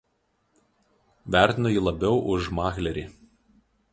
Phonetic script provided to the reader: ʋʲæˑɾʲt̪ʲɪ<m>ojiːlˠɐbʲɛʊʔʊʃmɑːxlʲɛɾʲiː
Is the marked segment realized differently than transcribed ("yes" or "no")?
yes